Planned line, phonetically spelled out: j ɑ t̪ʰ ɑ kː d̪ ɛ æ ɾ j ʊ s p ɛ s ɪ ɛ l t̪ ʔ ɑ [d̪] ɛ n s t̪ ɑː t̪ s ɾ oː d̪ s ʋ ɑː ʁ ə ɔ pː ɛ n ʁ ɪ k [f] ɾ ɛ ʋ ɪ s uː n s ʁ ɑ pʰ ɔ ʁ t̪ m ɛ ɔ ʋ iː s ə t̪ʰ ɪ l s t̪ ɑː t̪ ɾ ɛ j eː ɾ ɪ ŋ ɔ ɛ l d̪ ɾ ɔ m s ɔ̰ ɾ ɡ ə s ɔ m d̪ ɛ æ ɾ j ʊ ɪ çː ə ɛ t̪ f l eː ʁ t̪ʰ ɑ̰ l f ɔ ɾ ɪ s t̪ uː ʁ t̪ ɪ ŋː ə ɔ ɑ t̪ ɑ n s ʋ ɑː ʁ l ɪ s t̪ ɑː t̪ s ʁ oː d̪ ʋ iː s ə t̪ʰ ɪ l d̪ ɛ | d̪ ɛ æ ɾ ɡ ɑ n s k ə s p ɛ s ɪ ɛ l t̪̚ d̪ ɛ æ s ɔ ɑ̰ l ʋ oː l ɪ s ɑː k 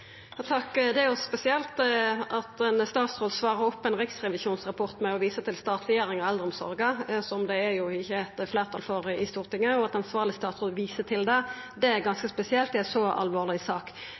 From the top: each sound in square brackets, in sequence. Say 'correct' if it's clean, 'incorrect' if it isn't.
incorrect, incorrect

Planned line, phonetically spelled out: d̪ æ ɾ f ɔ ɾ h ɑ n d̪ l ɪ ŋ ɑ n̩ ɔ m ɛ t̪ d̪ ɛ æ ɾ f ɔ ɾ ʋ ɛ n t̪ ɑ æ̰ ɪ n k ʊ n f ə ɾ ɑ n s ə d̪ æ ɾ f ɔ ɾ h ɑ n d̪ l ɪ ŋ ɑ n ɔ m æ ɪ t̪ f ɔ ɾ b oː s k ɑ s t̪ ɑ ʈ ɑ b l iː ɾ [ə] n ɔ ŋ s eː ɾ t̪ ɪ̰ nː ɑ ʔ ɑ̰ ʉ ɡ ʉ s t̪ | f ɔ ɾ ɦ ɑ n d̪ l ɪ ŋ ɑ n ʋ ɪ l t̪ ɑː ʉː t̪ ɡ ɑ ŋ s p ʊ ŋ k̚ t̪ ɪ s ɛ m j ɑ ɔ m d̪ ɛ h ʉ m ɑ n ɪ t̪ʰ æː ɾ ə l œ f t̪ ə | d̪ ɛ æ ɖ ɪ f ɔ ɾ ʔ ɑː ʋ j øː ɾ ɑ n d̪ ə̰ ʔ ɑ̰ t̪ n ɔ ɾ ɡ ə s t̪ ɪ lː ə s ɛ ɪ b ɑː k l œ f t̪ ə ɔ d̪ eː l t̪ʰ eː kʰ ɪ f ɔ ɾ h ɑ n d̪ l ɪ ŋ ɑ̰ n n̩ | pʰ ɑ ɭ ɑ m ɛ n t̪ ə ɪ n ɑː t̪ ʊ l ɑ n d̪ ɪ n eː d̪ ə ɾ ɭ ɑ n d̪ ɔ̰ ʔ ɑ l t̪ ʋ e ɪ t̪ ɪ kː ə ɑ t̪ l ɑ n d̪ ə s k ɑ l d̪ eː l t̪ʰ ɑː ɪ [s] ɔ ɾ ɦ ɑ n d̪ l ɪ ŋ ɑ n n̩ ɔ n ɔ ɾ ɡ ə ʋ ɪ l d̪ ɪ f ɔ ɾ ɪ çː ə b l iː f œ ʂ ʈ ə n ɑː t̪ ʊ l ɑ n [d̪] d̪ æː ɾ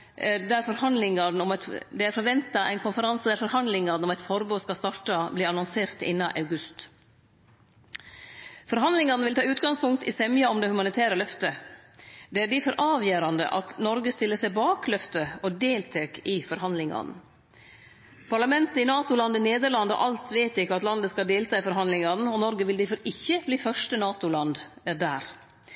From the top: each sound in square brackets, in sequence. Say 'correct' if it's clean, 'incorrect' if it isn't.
incorrect, incorrect, correct

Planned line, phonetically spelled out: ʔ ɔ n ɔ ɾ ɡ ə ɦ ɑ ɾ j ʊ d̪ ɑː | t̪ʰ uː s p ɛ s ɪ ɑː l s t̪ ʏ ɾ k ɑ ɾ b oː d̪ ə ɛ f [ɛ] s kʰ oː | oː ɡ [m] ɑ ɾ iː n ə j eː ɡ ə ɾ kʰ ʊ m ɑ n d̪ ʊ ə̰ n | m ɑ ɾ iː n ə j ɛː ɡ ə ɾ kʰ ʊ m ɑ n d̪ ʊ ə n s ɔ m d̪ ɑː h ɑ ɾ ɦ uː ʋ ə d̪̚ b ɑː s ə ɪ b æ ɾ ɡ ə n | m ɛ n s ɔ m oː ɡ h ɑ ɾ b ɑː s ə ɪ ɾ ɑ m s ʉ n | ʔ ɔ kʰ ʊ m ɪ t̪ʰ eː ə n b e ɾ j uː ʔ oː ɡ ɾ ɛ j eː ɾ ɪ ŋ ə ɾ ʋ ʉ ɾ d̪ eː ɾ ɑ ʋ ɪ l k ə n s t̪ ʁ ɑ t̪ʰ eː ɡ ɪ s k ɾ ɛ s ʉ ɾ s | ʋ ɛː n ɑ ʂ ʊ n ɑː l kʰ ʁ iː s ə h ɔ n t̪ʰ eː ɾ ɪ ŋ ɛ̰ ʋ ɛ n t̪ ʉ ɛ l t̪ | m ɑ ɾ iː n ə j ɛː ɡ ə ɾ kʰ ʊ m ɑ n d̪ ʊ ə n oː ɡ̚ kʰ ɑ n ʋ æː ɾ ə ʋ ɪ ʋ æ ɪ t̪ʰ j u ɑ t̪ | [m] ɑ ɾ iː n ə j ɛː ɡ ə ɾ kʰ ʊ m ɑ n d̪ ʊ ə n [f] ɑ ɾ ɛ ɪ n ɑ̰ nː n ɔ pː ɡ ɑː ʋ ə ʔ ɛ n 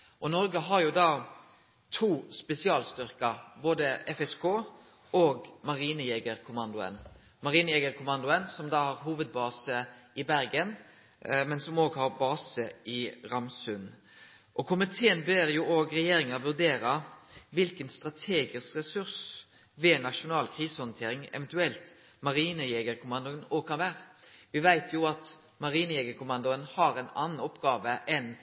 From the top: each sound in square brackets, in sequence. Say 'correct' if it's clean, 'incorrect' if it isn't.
correct, correct, correct, incorrect

